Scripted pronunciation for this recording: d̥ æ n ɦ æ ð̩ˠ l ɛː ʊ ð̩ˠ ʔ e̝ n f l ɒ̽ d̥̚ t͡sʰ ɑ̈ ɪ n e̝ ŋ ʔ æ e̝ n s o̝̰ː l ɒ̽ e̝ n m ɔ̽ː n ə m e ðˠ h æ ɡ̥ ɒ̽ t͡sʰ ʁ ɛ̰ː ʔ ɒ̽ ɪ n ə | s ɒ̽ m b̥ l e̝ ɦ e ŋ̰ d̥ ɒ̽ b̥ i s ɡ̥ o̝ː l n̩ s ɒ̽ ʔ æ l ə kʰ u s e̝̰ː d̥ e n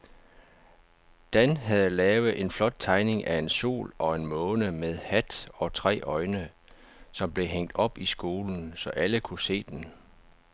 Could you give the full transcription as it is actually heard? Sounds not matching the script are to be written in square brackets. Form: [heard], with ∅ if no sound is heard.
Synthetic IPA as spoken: d̥ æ n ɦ æ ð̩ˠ l ɛː ʊ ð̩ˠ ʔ e̝ n f l ɒ̽ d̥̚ t͡sʰ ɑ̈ ɪ n e̝ ŋ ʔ æ e̝ n s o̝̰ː l ɒ̽ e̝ n m ɔ̽ː n ə m e ðˠ h æ [d̥] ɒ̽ t͡sʰ ʁ ɛ̰ː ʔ ɒ̽ ɪ n ə | s ɒ̽ m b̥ l e̝ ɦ e ŋ̰ d̥ ɒ̽ b̥ i s ɡ̥ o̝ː l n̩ s ɒ̽ ʔ æ l ə kʰ u s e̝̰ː d̥ e n